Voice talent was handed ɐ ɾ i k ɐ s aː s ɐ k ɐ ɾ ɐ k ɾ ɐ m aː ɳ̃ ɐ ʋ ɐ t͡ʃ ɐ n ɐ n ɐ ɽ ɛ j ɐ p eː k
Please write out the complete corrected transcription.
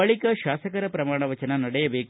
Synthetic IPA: ɐ ɭ i k ɐ ʃ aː s ɐ k ɐ ɾ ɐ p ɾ ɐ m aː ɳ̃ ɐ ʋ ɐ t͡ʃ ɐ n ɐ n ɐ ɽ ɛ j ɐ b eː k

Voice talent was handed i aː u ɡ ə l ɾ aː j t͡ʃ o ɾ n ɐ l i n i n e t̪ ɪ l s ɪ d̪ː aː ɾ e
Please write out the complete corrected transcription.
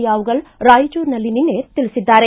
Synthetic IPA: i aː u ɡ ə l ɾ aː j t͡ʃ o ɾ n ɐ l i n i n e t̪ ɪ l s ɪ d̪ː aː ɾ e

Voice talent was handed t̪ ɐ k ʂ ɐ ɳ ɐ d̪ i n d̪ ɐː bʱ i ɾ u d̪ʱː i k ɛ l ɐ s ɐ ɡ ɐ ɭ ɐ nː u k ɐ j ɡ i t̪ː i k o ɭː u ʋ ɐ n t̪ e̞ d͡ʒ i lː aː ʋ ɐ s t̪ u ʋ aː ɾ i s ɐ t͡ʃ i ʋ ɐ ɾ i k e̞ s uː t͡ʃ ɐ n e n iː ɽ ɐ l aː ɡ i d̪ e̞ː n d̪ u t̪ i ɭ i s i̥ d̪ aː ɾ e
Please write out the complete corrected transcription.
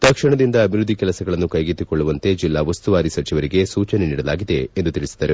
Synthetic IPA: t̪ ɐ k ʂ ɐ ɳ ɐ d̪ i n d̪ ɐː bʱ i ɾ u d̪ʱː i k ɛ l ɐ s ɐ ɡ ɐ ɭ ɐ nː u k ɐ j ɡ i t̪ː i k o ɭː u ʋ ɐ n t̪ e̞ d͡ʒ i lː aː ʋ ɐ s t̪ u ʋ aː ɾ i s ɐ t͡ʃ i ʋ ɐ ɾ i ɡ e̞ s uː t͡ʃ ɐ n e n iː ɽ ɐ l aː ɡ i d̪ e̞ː n d̪ u t̪ i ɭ i s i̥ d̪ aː ɾ e

